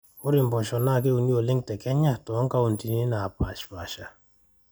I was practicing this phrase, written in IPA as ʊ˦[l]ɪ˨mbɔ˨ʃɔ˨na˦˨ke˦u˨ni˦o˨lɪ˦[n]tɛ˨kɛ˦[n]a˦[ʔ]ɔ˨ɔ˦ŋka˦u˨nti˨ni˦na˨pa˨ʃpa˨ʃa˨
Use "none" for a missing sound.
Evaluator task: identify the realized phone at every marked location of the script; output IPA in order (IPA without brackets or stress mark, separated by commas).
ɾ, ŋ, ɲ, t